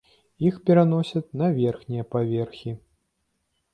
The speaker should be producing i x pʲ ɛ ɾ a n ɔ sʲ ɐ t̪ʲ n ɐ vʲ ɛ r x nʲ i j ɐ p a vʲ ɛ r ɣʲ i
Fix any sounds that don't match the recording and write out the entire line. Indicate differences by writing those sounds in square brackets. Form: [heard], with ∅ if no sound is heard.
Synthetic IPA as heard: i x pʲ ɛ ɾ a n ɔ sʲ ɐ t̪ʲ n ɐ vʲ ɛ r x nʲ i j ɐ p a vʲ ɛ r [xʲ] i